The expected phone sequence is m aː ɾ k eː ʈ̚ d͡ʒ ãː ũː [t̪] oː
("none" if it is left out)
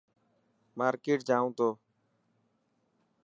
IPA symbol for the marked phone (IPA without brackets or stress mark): t̪